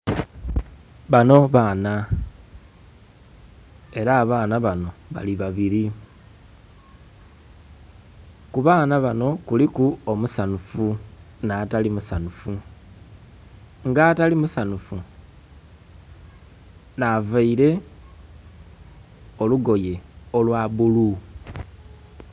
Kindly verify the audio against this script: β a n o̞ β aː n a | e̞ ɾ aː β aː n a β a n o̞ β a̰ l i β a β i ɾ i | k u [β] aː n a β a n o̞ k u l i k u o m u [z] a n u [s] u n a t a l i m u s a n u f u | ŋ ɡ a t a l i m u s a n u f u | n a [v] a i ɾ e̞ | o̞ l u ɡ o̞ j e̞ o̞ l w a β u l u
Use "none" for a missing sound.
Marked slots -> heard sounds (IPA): β, s, f, v

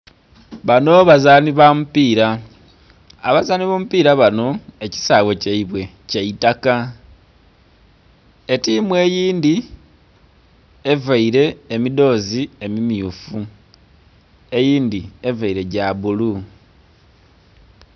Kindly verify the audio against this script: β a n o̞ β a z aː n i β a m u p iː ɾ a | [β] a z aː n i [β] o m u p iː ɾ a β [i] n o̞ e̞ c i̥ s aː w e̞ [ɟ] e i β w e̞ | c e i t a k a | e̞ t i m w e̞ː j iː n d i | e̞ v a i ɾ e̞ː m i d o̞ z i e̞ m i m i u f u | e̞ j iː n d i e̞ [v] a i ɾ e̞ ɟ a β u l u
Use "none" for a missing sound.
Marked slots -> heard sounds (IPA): β, β, a, c, v

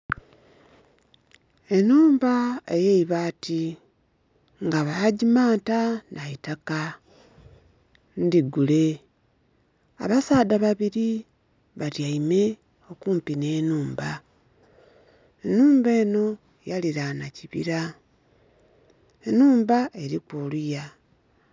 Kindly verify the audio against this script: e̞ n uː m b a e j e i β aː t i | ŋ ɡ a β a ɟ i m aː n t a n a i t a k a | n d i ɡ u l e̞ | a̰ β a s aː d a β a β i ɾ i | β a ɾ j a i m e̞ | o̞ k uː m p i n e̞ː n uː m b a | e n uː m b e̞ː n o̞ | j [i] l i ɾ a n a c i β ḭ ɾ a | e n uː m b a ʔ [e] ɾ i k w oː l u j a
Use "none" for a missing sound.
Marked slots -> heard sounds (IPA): a, e

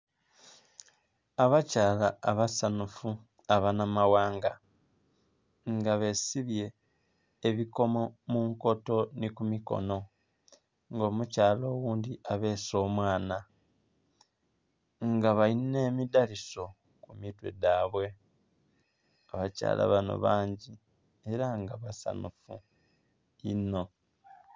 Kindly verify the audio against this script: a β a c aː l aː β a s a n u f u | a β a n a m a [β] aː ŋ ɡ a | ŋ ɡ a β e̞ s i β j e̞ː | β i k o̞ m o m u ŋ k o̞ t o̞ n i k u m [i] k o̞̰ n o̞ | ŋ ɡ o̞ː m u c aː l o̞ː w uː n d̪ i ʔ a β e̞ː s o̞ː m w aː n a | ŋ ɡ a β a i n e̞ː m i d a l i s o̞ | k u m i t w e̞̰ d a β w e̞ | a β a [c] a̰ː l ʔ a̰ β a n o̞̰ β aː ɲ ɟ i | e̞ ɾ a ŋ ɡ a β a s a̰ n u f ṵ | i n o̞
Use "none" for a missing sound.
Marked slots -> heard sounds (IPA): w, i, c

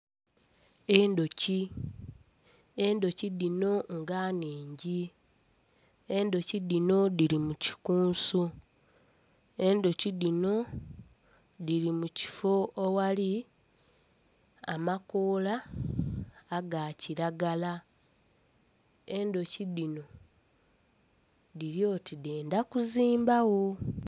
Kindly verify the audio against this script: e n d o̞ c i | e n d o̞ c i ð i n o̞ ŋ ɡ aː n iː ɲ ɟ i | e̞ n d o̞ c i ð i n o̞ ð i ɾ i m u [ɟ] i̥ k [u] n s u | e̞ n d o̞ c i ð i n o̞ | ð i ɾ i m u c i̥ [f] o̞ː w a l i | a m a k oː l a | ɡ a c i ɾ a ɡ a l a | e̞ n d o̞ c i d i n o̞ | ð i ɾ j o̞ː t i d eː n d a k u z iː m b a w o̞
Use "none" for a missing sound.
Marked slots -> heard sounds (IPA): c, uː, f

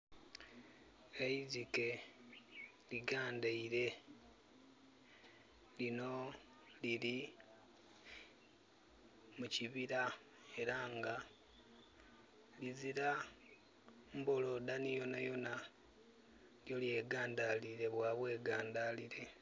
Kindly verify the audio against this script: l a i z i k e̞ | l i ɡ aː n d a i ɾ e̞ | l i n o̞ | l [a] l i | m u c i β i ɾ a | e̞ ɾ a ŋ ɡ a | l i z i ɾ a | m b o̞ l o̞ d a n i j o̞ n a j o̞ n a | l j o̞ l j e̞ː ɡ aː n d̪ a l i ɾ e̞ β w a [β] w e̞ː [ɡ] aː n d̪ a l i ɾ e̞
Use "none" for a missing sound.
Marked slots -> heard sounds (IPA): i, β, ɡ

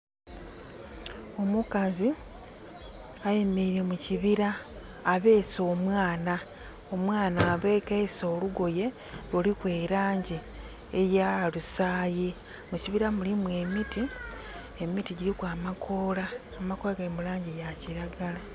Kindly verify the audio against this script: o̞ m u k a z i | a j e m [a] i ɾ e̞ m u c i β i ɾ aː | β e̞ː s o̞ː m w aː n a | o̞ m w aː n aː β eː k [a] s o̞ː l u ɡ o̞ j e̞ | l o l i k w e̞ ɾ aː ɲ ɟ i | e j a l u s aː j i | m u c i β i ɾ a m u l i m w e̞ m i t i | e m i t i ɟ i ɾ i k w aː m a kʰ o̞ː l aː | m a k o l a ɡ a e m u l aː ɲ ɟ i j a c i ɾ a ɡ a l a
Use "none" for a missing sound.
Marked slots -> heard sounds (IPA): e, e

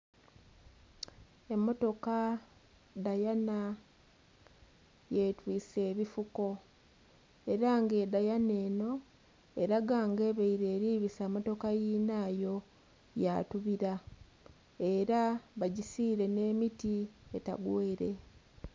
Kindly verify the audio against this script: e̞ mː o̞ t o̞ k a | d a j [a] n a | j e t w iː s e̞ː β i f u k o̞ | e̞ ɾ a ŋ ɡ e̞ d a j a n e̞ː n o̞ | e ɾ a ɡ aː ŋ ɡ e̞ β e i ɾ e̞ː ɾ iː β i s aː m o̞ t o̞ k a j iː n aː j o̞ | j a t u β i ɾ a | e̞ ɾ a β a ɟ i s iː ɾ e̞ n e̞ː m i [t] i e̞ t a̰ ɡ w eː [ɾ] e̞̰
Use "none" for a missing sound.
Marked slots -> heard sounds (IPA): a, t, ɾ

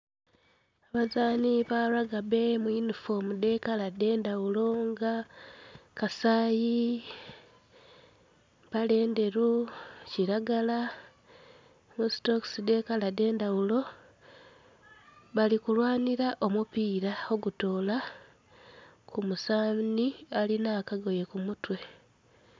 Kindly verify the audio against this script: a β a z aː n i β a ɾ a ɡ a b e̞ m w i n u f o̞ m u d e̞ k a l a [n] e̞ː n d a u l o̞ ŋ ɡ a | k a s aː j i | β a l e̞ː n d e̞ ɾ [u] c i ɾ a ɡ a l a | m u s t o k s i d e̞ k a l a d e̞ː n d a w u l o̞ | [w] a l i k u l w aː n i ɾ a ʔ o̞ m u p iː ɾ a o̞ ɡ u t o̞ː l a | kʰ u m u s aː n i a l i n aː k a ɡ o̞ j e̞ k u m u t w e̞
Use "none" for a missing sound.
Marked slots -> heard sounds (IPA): d, u, β

